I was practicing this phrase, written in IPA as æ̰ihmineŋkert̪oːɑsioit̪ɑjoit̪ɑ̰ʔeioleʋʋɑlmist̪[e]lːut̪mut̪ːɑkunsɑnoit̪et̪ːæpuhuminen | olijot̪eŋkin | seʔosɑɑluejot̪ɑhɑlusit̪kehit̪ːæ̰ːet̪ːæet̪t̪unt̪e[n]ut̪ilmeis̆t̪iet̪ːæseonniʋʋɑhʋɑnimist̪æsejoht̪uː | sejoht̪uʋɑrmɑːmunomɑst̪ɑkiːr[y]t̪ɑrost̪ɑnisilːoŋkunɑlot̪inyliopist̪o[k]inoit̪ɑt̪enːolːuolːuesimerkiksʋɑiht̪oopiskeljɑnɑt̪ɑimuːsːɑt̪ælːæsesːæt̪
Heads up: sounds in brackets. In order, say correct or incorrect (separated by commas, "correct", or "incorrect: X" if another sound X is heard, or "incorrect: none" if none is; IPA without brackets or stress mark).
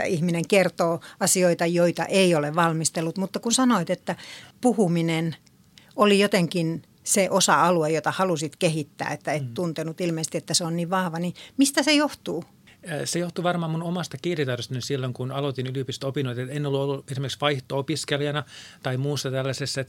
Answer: correct, correct, incorrect: i, incorrect: p